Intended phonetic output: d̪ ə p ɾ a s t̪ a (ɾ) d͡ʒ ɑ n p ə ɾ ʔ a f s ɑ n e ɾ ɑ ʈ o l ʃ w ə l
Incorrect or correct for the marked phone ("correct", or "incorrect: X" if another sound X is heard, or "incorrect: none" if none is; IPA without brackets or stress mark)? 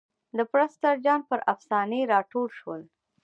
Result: correct